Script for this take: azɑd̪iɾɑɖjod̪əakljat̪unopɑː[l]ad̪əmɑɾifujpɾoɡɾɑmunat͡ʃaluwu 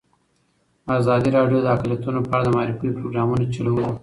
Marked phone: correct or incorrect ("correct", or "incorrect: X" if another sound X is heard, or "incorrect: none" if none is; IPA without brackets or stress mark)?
incorrect: ɽ